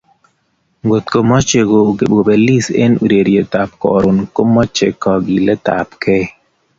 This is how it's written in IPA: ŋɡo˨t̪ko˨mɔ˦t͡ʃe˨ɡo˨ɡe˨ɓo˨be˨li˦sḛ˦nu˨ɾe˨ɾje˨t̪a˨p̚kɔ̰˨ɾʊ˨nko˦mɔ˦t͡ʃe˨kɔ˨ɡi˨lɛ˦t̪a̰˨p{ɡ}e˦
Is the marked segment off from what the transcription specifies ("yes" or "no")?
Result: yes